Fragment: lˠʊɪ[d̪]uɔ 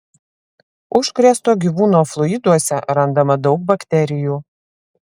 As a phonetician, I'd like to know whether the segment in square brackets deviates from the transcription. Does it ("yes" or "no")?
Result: no